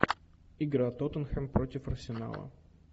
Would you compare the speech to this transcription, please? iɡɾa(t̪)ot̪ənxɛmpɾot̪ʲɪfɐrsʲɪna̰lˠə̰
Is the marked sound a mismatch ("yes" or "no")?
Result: no